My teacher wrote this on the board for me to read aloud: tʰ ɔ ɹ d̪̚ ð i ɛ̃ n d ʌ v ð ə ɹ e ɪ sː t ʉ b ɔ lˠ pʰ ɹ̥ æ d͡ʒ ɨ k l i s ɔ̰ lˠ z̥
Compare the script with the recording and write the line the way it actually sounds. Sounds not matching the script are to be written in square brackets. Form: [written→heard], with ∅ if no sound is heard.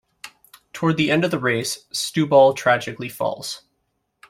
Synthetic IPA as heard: tʰ ɔ ɹ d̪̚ ð i ɛ̃ n d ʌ v ð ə ɹ e ɪ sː t ʉ b ɔ lˠ [pʰ→tʰ] ɹ̥ æ d͡ʒ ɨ k l i [s→f] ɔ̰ lˠ z̥